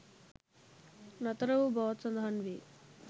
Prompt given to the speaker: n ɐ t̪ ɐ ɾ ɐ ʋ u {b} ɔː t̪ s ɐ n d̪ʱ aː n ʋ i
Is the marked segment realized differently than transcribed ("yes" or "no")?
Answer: no